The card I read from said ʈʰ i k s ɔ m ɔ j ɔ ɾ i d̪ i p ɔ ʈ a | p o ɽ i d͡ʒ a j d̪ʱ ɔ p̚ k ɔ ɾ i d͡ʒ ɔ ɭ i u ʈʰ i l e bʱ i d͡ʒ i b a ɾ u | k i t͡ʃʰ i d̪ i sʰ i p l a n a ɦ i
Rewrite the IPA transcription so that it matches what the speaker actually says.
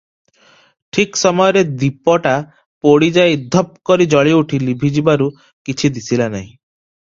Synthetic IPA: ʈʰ i k s ɔ m ɔ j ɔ ɾ e d̪ i p ɔ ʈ a | p o ɽ i d͡ʒ a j d̪ʱ ɔ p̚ k ɔ ɾ i d͡ʒ ɔ ɭ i u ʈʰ i l i bʱ i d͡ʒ i b a ɾ u | k i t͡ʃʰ i d̪ i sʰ i l a n a ɦ ĩ